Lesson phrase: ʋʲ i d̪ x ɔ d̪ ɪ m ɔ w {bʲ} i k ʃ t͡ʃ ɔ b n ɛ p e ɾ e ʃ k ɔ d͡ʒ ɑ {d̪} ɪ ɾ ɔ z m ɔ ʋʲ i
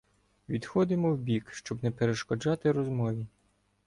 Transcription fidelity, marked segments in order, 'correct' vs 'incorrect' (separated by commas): correct, incorrect